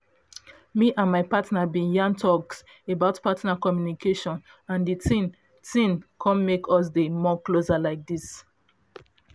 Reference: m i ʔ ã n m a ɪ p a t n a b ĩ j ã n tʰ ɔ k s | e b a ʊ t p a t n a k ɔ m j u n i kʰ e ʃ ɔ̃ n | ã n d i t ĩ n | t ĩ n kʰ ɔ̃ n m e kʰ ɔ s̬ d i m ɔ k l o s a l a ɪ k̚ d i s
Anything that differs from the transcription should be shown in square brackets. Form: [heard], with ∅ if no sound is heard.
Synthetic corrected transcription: m i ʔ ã n m a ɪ p a t n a b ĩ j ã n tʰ ɔ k s | e b a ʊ t p a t n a k ɔ m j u n i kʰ e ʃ ɔ̃ n | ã n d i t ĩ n | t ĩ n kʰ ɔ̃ n m e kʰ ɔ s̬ d [e] m ɔ k l o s a l a ɪ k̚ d i s